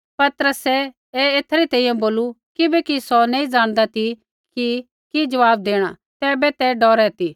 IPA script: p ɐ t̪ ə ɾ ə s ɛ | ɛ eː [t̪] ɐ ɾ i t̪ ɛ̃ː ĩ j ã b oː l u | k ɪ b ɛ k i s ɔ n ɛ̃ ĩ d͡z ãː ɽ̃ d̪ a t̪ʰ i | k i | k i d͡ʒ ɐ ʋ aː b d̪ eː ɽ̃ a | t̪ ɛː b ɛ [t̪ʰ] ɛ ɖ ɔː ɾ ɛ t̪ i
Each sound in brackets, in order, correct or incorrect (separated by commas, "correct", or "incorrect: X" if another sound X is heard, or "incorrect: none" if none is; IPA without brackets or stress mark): incorrect: t̪ʰ, incorrect: t̪